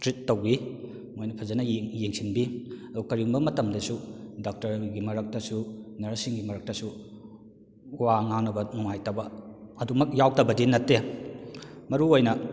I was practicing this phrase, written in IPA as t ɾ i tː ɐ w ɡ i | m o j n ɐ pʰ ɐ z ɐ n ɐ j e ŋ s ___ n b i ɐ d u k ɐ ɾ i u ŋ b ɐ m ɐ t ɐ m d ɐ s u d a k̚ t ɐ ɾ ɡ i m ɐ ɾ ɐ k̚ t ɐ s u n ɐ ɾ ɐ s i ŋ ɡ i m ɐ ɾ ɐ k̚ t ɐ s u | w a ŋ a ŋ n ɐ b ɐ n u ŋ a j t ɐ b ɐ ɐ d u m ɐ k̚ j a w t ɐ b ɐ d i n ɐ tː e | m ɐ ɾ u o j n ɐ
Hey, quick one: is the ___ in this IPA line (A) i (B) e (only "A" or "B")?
A